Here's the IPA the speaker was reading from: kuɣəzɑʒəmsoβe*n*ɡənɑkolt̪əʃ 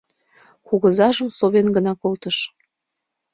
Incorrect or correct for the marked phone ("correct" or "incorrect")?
correct